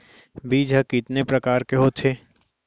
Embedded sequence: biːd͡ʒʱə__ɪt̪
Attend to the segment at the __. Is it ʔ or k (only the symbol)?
k